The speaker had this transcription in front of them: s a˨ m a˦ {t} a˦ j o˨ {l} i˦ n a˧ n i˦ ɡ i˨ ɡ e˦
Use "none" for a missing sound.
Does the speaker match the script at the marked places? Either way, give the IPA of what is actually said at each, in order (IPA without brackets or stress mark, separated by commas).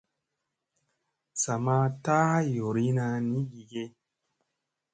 t, ɾ